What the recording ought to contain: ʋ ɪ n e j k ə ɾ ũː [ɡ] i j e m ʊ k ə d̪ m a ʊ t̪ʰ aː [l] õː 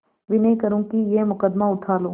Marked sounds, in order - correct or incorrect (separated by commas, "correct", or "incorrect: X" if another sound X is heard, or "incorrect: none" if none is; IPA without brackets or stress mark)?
incorrect: k, correct